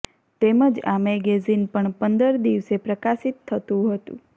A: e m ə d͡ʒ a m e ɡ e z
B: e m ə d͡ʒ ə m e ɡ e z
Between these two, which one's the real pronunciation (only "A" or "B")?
A